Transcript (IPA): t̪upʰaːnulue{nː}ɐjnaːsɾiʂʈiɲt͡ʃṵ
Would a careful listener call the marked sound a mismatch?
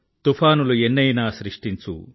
no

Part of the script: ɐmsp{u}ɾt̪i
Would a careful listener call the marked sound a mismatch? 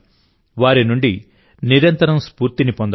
yes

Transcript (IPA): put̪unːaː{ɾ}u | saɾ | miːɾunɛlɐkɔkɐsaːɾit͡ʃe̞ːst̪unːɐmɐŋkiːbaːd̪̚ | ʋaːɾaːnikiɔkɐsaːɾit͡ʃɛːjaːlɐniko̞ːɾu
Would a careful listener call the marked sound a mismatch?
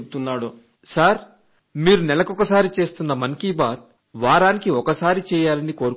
yes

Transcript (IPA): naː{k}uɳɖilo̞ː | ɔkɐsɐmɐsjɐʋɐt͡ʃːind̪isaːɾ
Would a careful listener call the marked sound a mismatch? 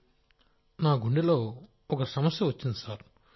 yes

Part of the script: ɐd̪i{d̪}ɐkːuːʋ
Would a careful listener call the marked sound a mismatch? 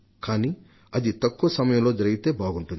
yes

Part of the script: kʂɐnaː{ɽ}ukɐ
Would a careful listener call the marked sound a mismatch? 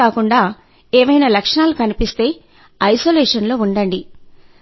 yes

